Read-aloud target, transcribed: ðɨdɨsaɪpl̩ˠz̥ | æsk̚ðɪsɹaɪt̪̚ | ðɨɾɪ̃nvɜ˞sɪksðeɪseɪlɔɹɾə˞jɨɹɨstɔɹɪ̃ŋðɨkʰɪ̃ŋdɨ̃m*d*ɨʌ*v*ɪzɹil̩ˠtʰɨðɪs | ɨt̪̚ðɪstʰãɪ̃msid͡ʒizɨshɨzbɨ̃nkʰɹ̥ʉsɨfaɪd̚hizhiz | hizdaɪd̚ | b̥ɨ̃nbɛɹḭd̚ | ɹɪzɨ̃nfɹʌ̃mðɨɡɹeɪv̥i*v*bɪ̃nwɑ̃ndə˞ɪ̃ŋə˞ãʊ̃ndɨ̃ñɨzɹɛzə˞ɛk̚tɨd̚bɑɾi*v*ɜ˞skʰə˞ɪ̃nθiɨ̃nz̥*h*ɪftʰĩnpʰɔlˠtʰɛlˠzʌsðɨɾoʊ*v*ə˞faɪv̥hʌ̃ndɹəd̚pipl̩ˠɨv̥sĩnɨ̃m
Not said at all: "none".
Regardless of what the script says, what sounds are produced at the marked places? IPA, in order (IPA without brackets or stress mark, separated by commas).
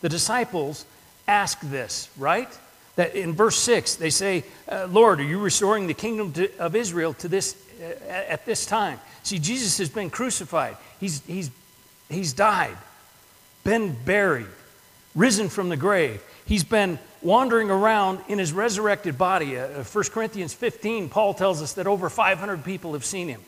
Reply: t, v, z, f, f, v